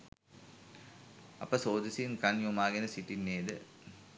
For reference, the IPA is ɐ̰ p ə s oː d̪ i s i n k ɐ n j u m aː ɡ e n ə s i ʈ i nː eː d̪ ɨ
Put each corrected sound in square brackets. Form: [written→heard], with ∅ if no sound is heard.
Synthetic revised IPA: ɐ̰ p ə s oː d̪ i s i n k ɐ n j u m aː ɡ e n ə s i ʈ i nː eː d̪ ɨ